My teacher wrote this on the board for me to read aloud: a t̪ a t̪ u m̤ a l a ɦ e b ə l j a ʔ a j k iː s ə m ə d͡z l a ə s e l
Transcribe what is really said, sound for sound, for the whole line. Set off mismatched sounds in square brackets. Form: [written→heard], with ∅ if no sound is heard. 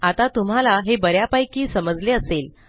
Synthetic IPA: a t̪ a t̪ u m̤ a l a ɦ e b ə [l→ɾ] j a [ʔ→p] a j k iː s ə m ə d͡z l [a→e] ə s e l